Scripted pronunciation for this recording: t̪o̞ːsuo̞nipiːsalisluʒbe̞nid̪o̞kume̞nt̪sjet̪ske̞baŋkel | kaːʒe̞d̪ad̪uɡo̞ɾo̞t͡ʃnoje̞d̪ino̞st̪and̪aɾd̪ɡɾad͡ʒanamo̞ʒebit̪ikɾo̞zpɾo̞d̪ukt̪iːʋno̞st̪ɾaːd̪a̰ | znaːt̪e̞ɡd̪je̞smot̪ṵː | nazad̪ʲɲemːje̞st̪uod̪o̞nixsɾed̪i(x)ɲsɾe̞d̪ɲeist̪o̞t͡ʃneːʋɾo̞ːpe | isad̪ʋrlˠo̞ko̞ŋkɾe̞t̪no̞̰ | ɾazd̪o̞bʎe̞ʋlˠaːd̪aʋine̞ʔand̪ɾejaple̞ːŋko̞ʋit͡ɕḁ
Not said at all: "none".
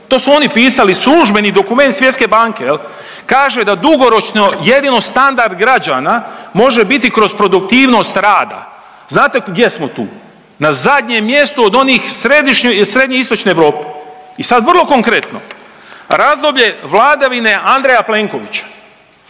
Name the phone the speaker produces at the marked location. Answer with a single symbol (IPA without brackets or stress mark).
ʃ